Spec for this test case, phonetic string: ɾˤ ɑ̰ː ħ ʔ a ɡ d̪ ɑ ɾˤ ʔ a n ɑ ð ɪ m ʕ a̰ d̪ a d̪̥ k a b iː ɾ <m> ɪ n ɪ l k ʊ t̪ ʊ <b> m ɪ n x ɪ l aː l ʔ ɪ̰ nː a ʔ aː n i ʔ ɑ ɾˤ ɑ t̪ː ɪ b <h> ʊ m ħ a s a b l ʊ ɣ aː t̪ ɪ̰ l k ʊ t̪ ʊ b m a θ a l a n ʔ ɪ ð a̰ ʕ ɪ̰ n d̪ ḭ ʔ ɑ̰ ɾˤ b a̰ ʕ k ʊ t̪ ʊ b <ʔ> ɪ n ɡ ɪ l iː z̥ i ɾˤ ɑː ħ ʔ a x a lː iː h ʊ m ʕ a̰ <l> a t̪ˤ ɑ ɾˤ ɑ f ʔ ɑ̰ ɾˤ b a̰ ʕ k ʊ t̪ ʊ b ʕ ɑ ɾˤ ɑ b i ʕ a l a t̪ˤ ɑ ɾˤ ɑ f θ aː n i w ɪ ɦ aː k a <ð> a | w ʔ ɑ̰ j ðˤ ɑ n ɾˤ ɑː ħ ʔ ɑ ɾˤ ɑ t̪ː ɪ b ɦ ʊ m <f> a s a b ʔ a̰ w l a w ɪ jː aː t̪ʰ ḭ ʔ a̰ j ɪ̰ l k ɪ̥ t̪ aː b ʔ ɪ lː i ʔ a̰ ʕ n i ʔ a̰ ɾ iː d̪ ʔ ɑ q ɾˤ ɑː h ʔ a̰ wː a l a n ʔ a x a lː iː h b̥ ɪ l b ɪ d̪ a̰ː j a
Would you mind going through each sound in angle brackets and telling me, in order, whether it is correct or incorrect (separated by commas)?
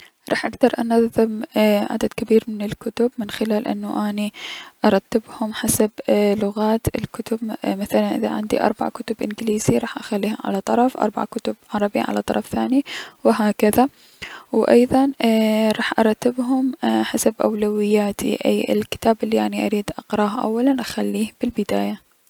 correct, correct, correct, correct, correct, correct, incorrect